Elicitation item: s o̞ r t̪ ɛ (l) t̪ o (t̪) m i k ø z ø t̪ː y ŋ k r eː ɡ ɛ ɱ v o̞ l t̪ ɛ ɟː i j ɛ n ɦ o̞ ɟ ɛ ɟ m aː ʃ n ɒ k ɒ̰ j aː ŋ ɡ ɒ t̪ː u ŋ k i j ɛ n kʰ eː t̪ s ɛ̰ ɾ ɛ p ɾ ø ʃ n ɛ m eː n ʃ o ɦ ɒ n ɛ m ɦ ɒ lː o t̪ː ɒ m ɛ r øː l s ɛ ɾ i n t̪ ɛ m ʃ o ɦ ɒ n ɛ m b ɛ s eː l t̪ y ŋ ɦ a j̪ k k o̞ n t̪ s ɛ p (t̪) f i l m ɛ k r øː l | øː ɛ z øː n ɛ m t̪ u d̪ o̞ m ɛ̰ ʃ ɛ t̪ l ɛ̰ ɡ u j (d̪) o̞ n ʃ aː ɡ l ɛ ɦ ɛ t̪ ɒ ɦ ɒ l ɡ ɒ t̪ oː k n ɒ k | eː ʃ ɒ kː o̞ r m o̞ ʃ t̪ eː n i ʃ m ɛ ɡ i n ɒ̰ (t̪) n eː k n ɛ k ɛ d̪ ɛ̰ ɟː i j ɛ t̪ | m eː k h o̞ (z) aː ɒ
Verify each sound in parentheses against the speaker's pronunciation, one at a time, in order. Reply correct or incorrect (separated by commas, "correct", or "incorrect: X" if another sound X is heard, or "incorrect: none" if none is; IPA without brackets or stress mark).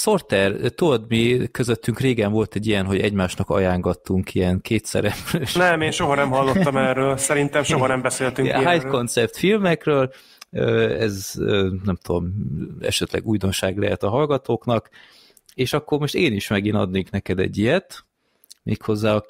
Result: incorrect: r, incorrect: d̪, correct, correct, incorrect: d̪, incorrect: zː